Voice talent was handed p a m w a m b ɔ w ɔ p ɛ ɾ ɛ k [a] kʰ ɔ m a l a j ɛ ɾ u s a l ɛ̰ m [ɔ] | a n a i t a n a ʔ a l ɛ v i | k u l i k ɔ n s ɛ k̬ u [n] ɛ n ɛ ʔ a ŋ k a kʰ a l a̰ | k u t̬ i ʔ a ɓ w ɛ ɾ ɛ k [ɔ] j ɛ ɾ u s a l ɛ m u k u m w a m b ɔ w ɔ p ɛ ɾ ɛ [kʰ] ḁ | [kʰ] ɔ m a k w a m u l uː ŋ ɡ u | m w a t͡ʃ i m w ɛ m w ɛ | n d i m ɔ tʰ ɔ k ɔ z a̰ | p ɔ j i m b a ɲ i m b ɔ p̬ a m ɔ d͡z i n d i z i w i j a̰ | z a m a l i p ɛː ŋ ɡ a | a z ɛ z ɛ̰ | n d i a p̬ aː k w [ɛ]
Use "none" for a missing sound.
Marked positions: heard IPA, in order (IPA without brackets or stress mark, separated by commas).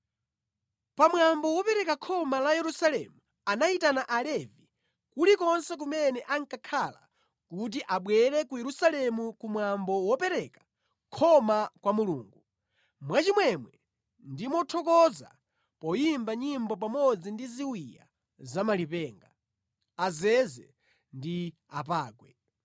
a, u, m, u, k, kʰ, ɛ